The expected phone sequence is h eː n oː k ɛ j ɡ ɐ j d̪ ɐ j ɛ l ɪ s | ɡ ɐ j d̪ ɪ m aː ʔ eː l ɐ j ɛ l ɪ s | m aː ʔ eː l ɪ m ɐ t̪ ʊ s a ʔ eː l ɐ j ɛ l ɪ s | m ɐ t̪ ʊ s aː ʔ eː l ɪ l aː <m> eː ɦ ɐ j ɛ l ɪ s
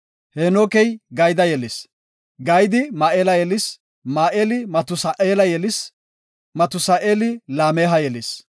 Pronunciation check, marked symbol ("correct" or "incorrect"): correct